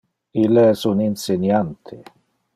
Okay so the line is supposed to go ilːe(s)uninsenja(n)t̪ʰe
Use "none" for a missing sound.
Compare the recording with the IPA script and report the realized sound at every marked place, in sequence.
s, n

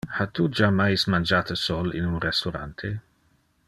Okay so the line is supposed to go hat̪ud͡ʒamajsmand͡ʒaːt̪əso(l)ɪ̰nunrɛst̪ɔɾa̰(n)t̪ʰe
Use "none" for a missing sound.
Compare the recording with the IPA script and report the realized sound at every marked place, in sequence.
l, n

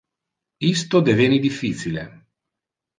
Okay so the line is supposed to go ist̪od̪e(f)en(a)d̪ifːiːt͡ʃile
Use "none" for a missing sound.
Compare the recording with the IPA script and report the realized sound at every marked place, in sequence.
v, i

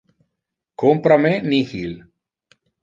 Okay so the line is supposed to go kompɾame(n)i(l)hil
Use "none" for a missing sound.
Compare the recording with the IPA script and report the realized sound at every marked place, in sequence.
n, none

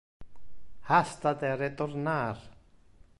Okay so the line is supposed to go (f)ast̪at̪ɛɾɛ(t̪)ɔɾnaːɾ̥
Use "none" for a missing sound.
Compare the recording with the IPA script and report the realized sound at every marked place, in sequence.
h, t̪

